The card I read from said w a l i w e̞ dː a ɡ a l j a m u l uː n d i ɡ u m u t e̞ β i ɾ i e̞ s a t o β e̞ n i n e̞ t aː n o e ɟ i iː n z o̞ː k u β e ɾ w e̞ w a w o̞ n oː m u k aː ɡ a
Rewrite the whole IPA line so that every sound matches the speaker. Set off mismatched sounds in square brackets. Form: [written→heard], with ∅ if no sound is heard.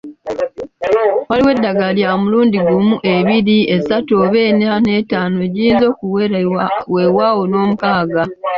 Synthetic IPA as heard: w a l i w e̞ dː a ɡ a l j a m u l uː n d i ɡ u m u [t→ʔ] e̞ β i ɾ i e̞ s a t o β e̞ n [i→a] n e̞ t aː n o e ɟ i iː n z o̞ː k u [β→w] e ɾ w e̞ w a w o̞ n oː m u k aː ɡ a